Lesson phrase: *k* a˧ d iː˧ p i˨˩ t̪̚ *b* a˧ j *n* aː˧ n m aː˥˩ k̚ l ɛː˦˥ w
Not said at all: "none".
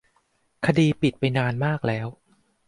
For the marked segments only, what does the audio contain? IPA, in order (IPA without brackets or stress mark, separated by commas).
kʰ, p, n